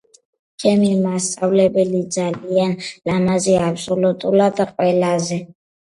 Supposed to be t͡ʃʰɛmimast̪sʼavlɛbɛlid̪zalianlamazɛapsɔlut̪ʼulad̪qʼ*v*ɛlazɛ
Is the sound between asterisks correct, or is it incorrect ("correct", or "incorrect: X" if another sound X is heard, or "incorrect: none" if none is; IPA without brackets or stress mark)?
incorrect: w